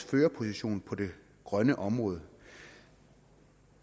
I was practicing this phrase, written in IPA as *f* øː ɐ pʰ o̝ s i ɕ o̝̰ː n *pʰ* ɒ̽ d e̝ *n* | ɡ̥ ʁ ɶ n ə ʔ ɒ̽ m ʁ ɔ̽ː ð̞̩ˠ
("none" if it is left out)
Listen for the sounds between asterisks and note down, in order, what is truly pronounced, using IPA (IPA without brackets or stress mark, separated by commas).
f, pʰ, none